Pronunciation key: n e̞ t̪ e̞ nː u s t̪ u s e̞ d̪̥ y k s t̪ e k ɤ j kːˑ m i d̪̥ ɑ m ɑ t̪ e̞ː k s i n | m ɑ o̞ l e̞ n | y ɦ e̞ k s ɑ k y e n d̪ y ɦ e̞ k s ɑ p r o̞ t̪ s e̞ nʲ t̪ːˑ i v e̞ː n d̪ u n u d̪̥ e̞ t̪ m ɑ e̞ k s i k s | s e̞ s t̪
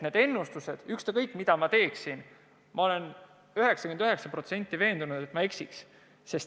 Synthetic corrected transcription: n e̞ d̪ e̞ nː u s t̪ u s e̞ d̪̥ y k s t̪ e k ɤ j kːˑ m i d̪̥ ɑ m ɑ t̪ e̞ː k s i n | m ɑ o̞ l e̞ n | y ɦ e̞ k s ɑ k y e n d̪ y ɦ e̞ k s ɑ p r o̞ t̪ s e̞ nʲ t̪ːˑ i v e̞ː n d̪ u n u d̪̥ e̞ t̪ m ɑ e̞ k s i k s | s e̞ s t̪